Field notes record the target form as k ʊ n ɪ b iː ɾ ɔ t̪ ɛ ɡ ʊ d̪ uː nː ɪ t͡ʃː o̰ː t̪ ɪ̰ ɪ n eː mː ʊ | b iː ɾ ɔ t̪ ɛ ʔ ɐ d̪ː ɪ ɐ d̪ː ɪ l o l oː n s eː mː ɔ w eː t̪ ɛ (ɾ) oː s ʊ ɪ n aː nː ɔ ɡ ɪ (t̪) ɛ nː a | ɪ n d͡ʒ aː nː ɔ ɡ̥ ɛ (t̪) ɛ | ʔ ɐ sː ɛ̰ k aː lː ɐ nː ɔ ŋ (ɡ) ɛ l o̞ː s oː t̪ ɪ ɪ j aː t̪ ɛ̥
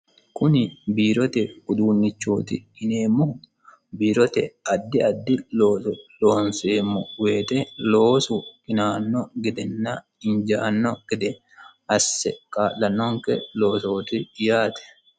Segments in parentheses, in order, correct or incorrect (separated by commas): incorrect, incorrect, incorrect, incorrect